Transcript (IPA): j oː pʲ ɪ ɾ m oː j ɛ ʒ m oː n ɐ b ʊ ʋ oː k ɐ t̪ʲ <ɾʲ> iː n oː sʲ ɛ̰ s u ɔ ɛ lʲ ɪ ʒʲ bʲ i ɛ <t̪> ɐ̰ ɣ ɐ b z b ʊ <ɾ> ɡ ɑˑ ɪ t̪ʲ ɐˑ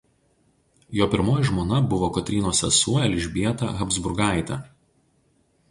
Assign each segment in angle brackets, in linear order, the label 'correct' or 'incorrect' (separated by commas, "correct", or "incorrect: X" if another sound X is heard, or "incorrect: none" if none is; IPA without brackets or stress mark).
correct, correct, correct